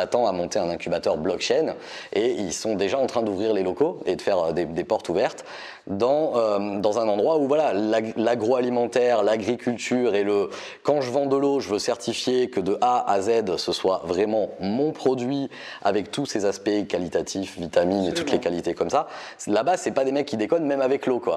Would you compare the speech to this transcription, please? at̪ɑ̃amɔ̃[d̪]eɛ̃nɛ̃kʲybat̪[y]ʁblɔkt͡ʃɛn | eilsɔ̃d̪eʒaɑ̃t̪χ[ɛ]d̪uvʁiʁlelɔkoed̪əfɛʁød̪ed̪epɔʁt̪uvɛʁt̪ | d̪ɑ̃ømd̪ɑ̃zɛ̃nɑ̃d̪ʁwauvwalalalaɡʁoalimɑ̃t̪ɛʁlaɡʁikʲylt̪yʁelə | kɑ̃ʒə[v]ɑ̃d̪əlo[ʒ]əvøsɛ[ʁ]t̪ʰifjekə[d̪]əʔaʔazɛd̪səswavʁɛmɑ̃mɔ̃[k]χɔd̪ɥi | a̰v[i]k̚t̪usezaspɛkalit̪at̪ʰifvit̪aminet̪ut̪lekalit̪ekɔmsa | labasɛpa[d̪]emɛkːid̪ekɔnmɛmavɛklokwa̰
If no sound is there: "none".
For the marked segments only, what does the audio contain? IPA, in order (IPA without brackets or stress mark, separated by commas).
t̪, œ, ɛ̃, v, ʒ, ʁ, d̪, p, ɛ, d̪